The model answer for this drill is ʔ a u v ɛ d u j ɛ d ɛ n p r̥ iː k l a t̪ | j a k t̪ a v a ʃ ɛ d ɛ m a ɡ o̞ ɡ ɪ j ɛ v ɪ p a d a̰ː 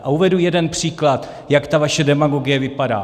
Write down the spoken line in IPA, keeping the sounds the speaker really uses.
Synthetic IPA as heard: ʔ a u v ɛ d u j ɛ d ɛ n p r̥ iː k l a t̪ | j a k t̪ a v a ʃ ɛ d ɛ m a ɡ o̞ ɡ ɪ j ɛ v ɪ p a d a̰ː